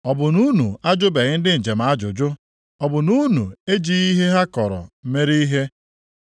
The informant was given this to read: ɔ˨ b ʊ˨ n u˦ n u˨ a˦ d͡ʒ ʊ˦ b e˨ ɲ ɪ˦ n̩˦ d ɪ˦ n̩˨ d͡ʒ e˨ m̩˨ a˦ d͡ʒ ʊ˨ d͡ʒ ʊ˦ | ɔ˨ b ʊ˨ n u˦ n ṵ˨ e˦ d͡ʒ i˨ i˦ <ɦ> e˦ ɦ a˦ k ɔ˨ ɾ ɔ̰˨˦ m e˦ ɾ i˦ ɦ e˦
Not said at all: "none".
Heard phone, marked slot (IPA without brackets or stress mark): ɦ